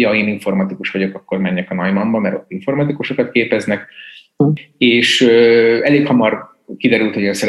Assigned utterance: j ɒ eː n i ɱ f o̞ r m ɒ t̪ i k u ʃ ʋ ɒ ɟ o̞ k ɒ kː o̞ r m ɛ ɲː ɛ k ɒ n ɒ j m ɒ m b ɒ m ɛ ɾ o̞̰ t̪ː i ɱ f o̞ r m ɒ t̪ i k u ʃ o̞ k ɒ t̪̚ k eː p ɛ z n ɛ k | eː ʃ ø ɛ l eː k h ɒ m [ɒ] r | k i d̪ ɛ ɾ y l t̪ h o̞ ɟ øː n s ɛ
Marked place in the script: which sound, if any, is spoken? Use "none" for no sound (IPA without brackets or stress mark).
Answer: ɒ